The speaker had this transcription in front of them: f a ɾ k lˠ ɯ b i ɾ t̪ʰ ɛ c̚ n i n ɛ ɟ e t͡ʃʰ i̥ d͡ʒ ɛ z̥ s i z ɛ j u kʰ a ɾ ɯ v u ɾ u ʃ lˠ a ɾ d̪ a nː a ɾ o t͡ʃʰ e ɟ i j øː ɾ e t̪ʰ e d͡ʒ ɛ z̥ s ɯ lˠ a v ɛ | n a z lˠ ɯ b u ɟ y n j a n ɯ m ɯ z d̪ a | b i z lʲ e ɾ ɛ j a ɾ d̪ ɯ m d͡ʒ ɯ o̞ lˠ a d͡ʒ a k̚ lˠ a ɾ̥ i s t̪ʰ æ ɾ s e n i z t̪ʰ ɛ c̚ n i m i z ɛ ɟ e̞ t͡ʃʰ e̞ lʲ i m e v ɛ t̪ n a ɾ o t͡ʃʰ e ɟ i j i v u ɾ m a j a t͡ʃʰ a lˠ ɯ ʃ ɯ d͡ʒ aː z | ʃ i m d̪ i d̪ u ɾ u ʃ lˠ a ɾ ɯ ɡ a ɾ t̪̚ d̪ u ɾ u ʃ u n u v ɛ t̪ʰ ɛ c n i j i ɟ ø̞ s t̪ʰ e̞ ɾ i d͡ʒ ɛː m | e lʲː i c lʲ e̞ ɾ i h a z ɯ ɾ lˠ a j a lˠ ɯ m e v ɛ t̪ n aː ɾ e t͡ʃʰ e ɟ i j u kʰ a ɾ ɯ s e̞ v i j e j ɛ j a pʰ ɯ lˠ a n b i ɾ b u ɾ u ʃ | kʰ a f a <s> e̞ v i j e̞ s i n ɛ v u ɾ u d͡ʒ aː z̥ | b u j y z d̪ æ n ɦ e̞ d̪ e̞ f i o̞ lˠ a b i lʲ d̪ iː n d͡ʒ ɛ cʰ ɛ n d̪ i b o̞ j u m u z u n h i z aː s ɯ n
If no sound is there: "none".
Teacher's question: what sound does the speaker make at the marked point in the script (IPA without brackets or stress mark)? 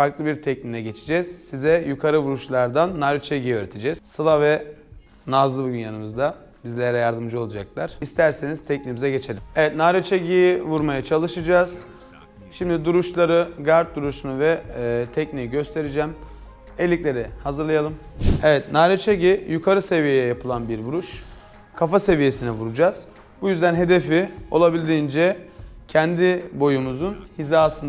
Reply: s